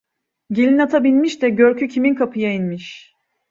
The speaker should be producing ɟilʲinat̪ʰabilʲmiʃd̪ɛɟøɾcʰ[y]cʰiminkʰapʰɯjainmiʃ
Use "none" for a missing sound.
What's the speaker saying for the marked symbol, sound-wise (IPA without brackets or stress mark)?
y